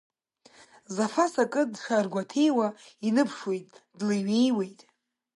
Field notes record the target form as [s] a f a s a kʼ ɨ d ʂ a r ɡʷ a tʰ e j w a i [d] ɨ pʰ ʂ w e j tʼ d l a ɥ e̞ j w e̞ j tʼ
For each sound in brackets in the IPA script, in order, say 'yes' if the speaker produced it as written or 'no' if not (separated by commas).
no, no